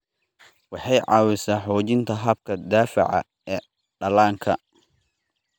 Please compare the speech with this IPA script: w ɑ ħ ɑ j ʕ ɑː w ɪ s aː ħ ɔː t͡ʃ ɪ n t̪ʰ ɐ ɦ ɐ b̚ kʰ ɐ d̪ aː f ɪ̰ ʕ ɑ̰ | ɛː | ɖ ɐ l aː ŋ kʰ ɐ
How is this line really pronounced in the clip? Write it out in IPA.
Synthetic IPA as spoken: w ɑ ħ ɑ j ʕ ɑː w ɪ s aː ħ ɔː t͡ʃ ɪ n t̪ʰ ɐ ɦ ɐ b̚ kʰ ɐ d̪ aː f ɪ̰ ʕ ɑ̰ | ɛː | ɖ ɐ l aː ŋ kʰ ɐ